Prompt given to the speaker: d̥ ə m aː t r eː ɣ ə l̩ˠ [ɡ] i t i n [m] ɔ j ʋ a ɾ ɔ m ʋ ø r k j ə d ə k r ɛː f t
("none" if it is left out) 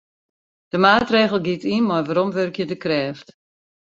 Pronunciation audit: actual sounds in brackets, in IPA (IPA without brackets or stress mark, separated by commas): ɡ, m